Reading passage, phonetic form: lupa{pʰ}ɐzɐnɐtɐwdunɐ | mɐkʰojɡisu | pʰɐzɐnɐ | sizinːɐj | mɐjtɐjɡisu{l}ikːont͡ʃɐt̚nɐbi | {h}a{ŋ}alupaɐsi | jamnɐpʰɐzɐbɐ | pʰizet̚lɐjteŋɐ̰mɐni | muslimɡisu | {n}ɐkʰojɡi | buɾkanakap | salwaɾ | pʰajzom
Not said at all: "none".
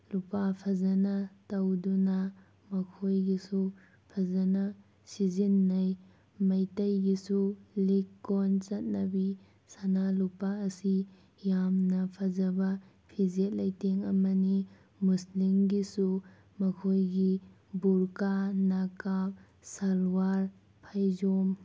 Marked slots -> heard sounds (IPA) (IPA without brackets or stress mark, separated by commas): pʰ, l, s, n, m